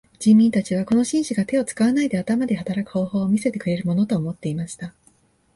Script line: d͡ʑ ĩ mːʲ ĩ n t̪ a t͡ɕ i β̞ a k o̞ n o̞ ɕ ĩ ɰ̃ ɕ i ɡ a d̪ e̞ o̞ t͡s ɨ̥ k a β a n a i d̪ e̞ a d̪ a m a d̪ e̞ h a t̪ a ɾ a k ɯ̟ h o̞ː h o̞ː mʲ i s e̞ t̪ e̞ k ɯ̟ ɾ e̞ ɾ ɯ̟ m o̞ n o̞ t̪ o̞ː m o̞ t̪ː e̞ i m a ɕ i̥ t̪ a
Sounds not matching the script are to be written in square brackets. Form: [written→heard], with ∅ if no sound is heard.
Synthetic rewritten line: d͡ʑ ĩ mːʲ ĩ n t̪ a t͡ɕ i β̞ a k o̞ n o̞ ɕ ĩ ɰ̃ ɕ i ɡ a [d̪→t̪] e̞ o̞ t͡s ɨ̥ k a β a n a i d̪ e̞ a [d̪→t̪] a m a d̪ e̞ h a t̪ a ɾ a k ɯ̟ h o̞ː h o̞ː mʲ i s e̞ t̪ e̞ k ɯ̟ ɾ e̞ ɾ ɯ̟ m o̞ n o̞ t̪ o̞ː m o̞ t̪ː e̞ i m a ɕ i̥ t̪ a